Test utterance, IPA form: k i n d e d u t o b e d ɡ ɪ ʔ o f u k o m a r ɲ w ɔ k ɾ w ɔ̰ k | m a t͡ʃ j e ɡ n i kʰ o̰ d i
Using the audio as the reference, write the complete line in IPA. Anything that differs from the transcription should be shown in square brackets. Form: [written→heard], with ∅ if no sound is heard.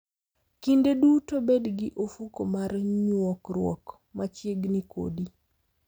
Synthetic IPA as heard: k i n d e d u t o b e d ɡ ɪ ʔ o f u k o m a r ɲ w ɔ k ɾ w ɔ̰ k | m a t͡ʃ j e ɡ n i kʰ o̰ d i